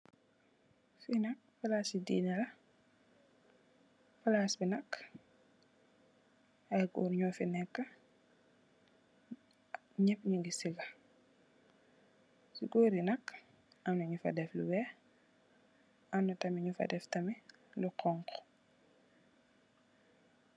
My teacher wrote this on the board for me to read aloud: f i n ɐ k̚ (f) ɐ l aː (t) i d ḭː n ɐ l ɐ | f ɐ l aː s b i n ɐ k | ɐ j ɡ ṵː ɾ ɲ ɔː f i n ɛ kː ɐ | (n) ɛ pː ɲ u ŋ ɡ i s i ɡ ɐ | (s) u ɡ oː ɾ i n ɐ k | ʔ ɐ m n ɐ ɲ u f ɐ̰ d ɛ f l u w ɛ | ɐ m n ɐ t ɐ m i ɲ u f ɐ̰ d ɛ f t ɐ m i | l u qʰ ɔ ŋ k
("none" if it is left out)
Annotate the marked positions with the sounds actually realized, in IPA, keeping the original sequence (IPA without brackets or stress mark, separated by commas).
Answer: f, s, ɲ, s